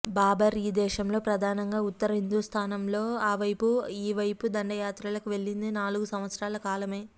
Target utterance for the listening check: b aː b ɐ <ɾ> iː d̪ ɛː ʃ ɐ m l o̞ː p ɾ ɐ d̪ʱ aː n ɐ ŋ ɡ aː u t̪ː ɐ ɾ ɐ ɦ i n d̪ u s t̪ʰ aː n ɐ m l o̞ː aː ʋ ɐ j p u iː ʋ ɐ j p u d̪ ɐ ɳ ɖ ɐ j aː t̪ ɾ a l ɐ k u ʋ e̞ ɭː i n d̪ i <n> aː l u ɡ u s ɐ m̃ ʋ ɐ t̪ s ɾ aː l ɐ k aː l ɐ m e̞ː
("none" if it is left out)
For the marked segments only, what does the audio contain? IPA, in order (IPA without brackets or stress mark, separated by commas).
ɾ, n